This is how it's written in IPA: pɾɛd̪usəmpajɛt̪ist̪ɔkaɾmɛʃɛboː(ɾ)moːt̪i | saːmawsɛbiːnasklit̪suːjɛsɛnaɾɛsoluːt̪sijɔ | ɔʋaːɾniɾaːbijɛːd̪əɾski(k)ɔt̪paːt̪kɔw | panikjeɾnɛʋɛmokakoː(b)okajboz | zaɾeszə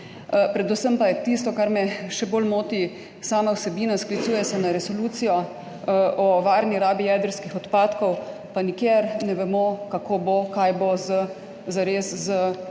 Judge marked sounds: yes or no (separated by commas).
no, no, yes